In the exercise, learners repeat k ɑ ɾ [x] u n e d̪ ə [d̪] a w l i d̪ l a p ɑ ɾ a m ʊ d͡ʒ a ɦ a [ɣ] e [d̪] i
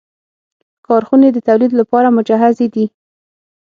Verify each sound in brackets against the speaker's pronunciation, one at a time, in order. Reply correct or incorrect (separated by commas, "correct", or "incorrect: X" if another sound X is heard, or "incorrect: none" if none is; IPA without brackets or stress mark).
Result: correct, incorrect: t̪, incorrect: z, correct